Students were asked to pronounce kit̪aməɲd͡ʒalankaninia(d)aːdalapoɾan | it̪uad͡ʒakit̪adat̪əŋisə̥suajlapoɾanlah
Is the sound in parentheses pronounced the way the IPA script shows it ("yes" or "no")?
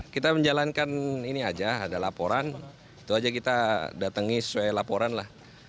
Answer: no